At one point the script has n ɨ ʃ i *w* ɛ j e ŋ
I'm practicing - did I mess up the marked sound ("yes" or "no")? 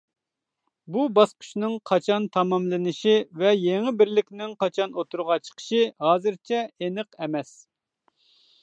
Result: yes